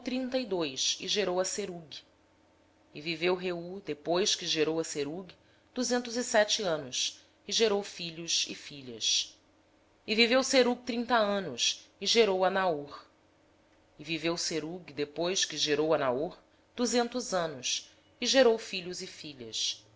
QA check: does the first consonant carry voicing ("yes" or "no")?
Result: no